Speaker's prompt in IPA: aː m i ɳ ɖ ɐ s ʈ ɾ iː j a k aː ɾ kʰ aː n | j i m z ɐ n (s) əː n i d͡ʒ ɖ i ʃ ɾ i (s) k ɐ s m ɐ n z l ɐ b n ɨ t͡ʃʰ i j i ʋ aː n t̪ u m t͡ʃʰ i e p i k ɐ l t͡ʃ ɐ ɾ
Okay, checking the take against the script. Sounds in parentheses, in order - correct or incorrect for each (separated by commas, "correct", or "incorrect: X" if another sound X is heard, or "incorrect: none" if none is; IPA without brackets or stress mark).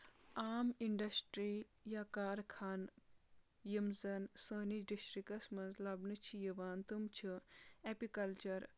correct, incorrect: none